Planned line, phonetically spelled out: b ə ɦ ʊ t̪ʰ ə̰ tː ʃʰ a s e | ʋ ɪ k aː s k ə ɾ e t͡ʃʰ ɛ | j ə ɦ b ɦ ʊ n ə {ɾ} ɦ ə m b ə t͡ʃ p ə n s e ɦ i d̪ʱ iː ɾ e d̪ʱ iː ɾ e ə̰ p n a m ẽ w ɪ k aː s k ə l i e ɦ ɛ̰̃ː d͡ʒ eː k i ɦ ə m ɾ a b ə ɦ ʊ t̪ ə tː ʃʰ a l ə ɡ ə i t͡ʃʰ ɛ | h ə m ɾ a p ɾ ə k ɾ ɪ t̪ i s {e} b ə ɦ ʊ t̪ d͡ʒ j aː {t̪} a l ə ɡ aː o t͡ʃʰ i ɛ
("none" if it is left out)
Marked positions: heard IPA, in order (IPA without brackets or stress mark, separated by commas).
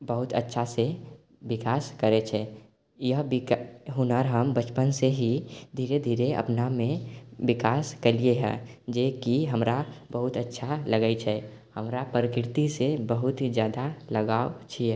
ɾ, e, d̪